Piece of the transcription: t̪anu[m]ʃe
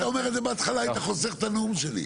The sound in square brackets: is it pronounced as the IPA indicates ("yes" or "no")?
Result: yes